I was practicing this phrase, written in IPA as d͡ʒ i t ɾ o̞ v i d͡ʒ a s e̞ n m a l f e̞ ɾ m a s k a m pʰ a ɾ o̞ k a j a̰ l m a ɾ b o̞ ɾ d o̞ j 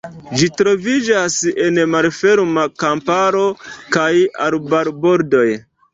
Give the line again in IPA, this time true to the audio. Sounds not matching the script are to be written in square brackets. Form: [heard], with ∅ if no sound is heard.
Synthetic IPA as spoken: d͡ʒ i t ɾ o̞ v i d͡ʒ a s e̞ n m a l f e̞ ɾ m a [∅] k a m [p] a ɾ o̞ k a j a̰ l [b] a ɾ b o̞ ɾ d o̞ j